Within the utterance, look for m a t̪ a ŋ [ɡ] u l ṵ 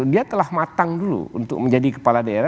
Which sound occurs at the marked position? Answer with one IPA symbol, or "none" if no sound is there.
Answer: d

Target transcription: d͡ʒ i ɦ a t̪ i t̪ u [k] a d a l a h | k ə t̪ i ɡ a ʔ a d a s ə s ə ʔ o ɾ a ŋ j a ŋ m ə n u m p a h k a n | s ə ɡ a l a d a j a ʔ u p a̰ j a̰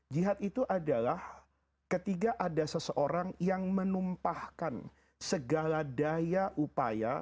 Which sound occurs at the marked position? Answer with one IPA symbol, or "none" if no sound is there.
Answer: ʔ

